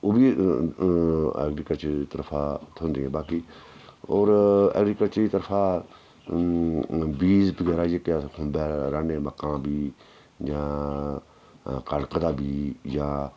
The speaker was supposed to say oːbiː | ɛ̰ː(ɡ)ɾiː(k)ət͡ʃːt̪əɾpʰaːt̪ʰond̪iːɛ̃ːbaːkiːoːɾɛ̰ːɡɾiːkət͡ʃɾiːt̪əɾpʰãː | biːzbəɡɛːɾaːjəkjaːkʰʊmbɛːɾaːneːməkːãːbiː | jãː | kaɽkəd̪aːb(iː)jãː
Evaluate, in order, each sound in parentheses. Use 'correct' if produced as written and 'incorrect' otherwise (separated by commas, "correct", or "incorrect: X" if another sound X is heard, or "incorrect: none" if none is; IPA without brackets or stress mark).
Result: correct, correct, correct